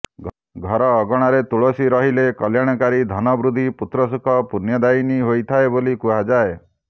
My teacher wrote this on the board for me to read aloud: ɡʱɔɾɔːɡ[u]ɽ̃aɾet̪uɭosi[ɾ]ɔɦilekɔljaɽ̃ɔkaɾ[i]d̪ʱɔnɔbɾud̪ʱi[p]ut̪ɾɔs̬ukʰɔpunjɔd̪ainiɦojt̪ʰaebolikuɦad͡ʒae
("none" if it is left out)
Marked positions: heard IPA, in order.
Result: ɔ, ɾ, i, p

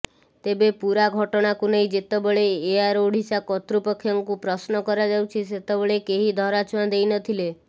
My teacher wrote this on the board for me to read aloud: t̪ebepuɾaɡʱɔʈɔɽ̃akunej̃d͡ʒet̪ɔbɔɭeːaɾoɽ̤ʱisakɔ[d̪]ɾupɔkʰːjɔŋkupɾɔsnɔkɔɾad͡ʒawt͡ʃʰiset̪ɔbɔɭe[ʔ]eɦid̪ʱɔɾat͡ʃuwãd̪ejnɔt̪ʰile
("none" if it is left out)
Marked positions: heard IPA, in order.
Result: t̪, k

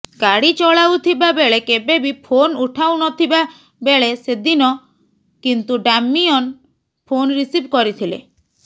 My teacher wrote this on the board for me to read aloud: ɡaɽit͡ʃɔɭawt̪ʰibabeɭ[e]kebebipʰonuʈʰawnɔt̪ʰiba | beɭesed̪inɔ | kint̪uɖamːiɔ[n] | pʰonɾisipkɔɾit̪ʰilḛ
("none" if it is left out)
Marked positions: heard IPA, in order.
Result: e, n

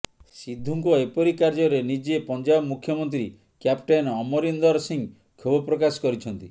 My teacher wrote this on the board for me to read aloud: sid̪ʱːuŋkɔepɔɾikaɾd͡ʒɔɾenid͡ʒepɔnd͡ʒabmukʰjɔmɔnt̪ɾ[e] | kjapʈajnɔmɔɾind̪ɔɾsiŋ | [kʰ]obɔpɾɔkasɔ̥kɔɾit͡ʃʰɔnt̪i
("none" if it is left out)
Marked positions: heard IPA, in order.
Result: i, kʰ

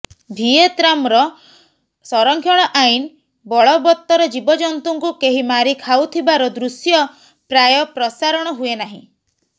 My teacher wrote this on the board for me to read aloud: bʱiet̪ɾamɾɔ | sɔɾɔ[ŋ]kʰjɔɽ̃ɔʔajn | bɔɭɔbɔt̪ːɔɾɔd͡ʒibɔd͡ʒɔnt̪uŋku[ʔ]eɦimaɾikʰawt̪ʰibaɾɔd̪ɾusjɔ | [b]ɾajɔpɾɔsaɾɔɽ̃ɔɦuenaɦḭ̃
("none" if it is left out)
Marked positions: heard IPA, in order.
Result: ŋ, k, p

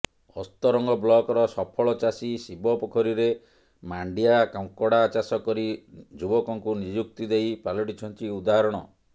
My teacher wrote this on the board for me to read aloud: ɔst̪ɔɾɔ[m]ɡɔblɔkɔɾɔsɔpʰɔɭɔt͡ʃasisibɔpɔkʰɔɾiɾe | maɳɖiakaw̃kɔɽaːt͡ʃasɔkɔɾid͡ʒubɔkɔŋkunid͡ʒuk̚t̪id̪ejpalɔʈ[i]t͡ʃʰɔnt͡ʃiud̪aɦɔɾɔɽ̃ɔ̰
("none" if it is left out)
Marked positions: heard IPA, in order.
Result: ŋ, i

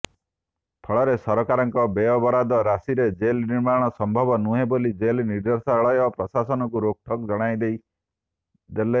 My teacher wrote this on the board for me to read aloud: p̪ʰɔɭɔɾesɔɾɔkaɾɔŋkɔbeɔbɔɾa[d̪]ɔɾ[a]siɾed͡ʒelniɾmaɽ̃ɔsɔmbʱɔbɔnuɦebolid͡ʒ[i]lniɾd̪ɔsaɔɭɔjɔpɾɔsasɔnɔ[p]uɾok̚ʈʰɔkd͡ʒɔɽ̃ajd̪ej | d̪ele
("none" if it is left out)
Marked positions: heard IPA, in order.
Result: d̪, a, e, k

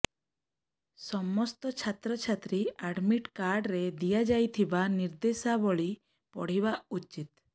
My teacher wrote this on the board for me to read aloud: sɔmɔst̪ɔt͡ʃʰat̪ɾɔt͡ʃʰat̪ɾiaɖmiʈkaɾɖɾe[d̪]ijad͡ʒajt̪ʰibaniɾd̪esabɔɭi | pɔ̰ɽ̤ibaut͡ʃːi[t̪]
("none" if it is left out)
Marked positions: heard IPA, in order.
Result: d̪, t̪

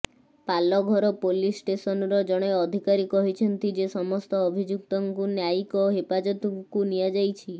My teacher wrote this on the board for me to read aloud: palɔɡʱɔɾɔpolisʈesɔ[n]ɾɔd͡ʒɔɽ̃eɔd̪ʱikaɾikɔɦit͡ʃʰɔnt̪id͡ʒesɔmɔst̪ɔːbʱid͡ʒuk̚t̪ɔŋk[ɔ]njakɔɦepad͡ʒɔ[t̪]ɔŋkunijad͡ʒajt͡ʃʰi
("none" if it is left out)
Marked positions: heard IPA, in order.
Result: n, u, t̪

